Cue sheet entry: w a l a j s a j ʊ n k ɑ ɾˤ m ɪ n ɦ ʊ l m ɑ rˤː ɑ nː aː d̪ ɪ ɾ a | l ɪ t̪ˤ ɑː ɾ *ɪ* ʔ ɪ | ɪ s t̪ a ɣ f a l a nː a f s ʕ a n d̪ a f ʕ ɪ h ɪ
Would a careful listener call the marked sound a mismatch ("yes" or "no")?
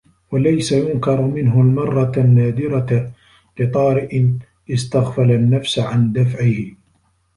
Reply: no